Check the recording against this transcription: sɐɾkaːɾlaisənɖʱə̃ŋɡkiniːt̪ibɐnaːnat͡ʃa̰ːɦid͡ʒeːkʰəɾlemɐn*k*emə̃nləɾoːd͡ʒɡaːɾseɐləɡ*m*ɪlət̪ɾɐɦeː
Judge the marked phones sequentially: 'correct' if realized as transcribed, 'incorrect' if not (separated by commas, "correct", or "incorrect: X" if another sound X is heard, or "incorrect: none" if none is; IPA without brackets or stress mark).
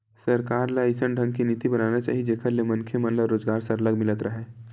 incorrect: kʰ, correct